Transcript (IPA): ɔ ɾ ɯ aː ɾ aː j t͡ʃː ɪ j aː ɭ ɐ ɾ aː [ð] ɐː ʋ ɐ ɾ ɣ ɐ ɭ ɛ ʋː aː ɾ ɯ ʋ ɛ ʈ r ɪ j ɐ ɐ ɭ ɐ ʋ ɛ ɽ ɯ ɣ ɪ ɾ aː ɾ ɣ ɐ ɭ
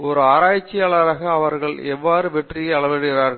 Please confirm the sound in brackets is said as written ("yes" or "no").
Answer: no